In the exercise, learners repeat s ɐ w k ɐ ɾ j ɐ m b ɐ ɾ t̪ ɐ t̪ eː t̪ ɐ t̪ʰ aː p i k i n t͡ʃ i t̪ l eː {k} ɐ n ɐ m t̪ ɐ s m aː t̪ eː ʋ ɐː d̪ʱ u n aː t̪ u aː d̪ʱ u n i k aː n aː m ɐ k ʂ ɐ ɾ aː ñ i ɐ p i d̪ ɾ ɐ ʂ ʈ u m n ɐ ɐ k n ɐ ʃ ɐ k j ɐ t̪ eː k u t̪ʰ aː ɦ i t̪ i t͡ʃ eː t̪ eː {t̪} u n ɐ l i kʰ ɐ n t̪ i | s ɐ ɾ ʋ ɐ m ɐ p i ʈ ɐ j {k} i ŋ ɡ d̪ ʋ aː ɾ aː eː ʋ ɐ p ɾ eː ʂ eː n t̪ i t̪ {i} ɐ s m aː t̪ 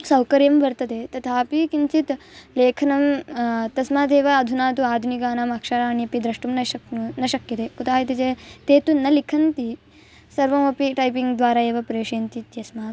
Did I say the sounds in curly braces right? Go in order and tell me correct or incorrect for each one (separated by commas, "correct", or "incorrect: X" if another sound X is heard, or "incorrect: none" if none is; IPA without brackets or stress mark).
incorrect: kʰ, correct, incorrect: p, incorrect: j